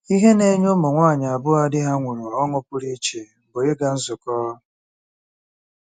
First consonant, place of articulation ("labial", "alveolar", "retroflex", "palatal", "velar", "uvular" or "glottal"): glottal